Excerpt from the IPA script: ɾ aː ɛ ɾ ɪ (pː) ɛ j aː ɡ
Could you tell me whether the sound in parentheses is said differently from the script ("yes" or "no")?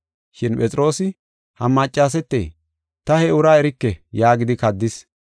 yes